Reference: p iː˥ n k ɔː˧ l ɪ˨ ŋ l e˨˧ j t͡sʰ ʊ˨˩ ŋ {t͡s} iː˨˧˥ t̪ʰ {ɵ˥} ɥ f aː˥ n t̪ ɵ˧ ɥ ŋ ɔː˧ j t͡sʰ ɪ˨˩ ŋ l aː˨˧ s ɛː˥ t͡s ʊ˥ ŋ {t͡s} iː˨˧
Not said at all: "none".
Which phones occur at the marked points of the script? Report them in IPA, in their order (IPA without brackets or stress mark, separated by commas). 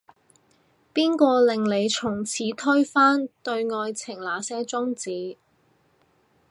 t͡sʰ, ɵ˥, t͡s